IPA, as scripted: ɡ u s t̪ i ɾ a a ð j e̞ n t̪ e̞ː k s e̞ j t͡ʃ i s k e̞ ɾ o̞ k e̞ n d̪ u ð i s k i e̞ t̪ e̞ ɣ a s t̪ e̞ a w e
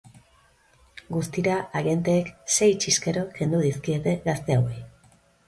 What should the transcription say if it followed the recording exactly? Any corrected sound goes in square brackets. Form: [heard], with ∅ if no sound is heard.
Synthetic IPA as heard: ɡ u s t̪ i ɾ a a [ɣ] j e̞ n t̪ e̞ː k s e̞ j t͡ʃ i s k e̞ ɾ o̞ k e̞ n d̪ u ð i s k i e̞ t̪ e̞ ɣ a s t̪ e̞ a w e